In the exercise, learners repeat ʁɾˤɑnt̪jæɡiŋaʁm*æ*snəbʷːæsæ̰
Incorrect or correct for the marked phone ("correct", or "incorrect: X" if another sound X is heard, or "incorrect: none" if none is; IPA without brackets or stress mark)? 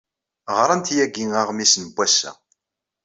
incorrect: i